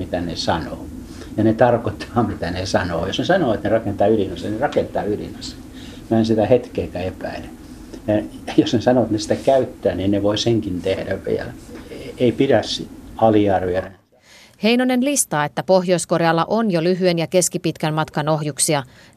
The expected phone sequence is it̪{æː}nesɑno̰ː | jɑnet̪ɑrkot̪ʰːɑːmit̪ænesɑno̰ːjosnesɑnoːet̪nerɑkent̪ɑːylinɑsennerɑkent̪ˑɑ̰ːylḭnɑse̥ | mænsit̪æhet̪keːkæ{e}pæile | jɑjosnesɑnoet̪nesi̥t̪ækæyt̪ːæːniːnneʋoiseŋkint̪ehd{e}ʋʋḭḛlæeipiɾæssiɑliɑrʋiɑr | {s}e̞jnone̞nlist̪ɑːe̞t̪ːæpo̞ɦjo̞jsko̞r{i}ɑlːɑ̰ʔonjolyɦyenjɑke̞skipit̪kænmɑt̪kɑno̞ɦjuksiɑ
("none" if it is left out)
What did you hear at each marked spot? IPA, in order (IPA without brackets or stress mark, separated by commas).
æ, e, æ, h, j